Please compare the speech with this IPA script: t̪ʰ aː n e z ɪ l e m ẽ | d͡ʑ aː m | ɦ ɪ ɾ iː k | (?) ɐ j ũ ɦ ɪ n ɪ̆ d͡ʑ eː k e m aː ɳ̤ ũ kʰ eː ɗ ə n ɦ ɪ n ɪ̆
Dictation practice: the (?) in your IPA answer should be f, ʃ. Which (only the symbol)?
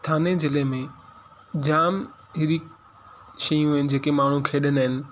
ʃ